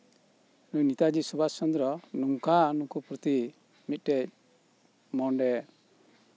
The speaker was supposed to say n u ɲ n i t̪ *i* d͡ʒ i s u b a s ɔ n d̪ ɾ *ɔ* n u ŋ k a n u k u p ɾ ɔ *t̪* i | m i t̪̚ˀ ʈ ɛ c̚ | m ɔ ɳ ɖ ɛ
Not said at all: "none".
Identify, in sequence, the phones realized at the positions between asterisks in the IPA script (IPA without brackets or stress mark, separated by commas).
a, ɔ, t̪